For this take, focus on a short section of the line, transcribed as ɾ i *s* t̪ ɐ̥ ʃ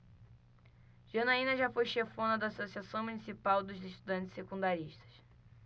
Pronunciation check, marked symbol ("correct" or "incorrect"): incorrect